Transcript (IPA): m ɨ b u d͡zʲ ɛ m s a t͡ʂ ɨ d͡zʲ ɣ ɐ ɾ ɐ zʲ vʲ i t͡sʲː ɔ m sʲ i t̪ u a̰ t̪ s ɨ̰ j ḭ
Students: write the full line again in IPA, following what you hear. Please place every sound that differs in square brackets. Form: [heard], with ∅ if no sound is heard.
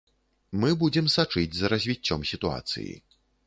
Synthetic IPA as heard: m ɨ b u d͡zʲ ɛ m s a t͡ʂ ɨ d͡zʲ [z] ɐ ɾ ɐ zʲ vʲ i t͡sʲː ɔ m sʲ i t̪ u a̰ t̪ s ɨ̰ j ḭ